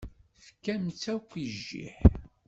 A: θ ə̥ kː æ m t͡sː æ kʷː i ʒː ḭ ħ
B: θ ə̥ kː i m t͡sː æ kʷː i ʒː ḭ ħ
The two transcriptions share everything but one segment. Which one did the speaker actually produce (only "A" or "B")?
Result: A